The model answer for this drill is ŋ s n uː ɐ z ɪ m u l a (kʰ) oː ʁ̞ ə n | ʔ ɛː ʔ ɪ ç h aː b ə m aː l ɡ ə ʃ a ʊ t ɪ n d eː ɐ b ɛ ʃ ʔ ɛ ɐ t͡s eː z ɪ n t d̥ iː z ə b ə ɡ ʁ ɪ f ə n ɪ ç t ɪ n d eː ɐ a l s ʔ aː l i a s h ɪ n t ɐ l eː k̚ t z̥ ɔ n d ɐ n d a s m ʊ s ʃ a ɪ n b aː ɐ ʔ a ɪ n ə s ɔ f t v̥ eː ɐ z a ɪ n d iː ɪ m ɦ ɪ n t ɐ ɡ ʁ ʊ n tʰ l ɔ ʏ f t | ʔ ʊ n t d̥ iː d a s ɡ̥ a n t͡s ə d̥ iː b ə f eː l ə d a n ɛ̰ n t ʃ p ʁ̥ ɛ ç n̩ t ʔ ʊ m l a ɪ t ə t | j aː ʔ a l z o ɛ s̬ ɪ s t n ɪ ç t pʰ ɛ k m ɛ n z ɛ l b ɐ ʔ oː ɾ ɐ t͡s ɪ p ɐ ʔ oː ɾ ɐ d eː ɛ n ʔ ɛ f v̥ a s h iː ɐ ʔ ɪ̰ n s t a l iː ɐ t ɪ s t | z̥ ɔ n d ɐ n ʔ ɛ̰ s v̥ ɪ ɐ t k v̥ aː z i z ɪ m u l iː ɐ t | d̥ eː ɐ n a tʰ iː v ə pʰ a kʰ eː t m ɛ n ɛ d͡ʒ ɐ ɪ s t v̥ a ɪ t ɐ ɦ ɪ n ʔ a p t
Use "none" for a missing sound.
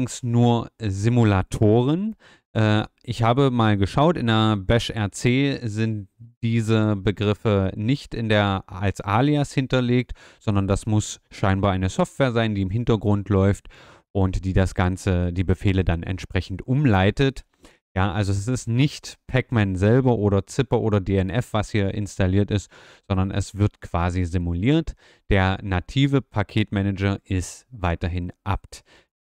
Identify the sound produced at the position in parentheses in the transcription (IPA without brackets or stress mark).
tʰ